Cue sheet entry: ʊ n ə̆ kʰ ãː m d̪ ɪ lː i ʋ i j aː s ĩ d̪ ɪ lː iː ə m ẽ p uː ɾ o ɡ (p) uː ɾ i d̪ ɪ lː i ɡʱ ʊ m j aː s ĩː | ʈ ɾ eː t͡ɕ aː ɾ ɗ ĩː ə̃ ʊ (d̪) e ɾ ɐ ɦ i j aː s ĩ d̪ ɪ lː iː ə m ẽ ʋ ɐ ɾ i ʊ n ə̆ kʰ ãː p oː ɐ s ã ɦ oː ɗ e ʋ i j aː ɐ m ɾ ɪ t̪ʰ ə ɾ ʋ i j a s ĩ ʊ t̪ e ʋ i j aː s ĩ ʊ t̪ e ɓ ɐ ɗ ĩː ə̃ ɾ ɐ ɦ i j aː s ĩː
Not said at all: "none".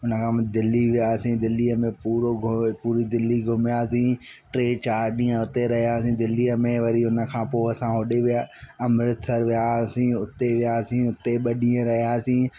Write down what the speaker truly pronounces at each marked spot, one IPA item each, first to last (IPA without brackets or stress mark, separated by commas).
p, t̪